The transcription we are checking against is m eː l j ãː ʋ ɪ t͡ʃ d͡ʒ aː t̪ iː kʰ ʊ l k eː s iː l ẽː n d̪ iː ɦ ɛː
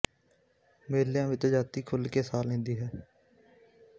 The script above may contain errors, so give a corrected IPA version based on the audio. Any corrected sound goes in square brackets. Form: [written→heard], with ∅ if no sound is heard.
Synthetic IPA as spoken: m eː l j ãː ʋ ɪ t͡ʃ d͡ʒ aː t̪ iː kʰ ʊ l k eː s [iː→aː] l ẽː n d̪ iː ɦ ɛː

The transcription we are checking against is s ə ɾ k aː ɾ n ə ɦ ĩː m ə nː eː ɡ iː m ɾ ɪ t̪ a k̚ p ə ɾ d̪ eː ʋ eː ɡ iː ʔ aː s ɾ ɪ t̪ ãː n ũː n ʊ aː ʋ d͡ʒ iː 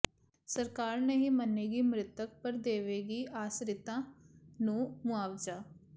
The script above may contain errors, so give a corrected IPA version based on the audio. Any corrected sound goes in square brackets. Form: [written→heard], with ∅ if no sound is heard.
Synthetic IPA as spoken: s ə ɾ k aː ɾ n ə ɦ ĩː m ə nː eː ɡ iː m ɾ ɪ t̪ [a→ə] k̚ p ə ɾ d̪ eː ʋ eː ɡ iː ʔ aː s ɾ ɪ t̪ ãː n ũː [n→m] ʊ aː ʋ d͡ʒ [iː→aː]

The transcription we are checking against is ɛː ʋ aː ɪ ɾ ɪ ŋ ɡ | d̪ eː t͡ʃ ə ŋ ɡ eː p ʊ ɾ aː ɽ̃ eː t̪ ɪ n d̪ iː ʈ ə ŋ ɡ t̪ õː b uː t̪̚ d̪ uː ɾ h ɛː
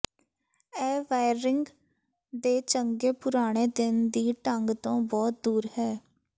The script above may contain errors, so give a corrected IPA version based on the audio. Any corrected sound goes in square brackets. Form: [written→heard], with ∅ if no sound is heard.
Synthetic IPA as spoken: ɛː ʋ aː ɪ ɾ ɪ ŋ ɡ | d̪ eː t͡ʃ ə ŋ ɡ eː p ʊ ɾ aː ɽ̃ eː [t̪→d̪] ɪ n d̪ iː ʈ ə ŋ ɡ t̪ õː b [uː→ɔː] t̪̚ d̪ uː ɾ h ɛː

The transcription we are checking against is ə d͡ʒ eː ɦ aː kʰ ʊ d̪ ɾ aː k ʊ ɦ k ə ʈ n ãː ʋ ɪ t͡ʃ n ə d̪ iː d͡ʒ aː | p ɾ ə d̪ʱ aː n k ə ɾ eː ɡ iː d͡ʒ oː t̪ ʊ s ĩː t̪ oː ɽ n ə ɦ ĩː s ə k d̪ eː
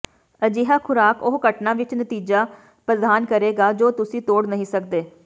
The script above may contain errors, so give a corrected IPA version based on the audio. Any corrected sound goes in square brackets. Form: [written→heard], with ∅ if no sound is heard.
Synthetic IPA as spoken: ə d͡ʒ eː ɦ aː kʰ ʊ [d̪→∅] ɾ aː k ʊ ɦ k ə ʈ n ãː ʋ ɪ t͡ʃ n ə [d̪→t̪] iː d͡ʒ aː | p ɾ ə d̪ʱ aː n k ə ɾ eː ɡ [iː→aː] d͡ʒ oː t̪ ʊ s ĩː t̪ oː ɽ n ə ɦ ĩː s ə k d̪ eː

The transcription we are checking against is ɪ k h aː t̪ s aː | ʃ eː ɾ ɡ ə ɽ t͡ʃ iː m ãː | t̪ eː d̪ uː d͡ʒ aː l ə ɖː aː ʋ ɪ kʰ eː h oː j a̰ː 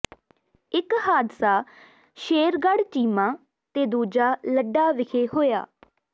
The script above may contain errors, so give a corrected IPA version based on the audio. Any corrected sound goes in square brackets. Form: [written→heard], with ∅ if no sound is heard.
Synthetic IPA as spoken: ɪ k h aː [t̪→d̪] s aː | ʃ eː ɾ ɡ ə ɽ t͡ʃ iː m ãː | t̪ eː d̪ uː d͡ʒ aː l ə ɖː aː ʋ ɪ kʰ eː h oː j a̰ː

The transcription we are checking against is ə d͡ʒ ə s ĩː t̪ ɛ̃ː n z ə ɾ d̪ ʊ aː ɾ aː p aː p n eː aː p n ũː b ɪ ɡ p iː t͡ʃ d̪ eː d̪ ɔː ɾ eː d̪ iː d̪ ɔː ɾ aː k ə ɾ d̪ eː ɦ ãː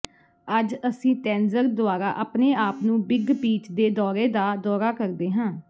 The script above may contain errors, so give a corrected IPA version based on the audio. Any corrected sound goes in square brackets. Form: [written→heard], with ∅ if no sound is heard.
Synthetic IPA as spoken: ə d͡ʒ ə s ĩː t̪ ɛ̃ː n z ə ɾ d̪ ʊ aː ɾ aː [p→ʔ] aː p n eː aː p n ũː b ɪ ɡ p iː t͡ʃ d̪ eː d̪ ɔː ɾ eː d̪ [iː→aː] d̪ ɔː ɾ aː k ə ɾ d̪ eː ɦ ãː

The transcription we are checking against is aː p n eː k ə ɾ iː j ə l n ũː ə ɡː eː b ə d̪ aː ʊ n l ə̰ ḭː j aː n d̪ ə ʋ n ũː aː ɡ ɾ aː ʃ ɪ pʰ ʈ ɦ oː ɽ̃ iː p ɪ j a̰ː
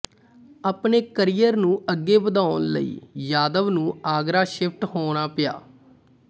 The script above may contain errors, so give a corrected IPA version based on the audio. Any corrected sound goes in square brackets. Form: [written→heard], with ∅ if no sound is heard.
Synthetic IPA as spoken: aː p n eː k ə ɾ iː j ə [l→ɾ] n ũː ə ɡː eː b ə d̪ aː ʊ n l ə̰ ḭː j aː [n→∅] d̪ ə ʋ n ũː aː ɡ ɾ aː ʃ ɪ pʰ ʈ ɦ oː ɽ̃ [iː→aː] p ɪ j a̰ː

